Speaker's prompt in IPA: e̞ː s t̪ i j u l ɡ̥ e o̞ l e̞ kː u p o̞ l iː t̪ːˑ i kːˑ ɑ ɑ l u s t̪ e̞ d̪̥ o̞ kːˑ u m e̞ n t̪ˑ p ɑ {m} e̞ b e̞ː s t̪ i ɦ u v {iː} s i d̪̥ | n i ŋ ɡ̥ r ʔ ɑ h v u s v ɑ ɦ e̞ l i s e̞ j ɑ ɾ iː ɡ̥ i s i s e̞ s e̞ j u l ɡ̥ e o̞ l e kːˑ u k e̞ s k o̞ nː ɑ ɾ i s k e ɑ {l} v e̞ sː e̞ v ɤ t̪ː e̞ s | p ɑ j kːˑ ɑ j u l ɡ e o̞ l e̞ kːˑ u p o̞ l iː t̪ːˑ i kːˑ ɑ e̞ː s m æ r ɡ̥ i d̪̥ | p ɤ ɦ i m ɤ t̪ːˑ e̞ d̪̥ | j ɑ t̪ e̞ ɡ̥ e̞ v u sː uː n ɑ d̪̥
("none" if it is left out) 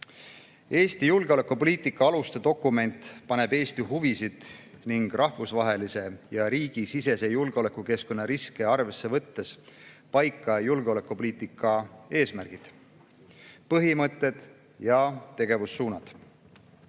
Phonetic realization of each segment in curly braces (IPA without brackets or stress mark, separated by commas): n, i, r